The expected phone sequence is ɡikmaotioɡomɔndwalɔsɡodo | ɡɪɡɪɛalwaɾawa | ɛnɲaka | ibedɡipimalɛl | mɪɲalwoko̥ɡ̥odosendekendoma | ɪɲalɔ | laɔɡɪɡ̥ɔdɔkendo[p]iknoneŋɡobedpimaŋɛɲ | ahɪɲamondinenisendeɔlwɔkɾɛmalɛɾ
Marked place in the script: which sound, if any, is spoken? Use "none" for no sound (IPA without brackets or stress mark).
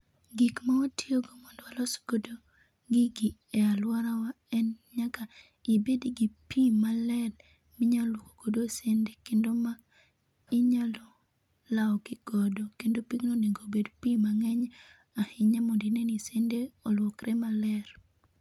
p